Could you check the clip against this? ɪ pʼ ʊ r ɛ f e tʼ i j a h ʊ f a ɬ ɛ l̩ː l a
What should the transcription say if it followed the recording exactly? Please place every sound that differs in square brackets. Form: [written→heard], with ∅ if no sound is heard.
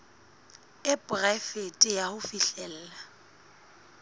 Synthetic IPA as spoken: ɪ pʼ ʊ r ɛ f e tʼ [i→ɪ] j a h ʊ f [a→i] ɬ ɛ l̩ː l a